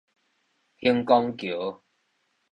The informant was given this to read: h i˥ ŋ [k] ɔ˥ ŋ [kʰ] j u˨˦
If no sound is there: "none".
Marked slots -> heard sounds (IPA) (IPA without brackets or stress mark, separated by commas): k, k